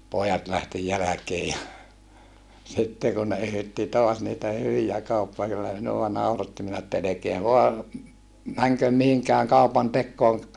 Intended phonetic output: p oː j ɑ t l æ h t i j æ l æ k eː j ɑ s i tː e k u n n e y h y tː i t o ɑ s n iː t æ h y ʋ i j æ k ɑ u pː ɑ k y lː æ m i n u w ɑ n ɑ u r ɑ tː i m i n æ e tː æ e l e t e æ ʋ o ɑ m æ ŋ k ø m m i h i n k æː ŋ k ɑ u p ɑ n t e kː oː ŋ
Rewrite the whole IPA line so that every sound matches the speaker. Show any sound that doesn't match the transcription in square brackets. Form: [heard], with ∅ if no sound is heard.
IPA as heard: p oː j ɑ t l æ h t i j æ l æ k eː j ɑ s i tː e k u n n e y h y tː i t o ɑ s n iː t æ h y ʋ i j æ k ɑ u pː ɑ k y lː æ m i n u w ɑ n ɑ u r ɑ tː i m i n æ e tː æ e l e [k] e æ ʋ o ɑ m æ ŋ k ø m m i h i [ŋ] k æː ŋ k ɑ u p ɑ n t e kː oː ŋ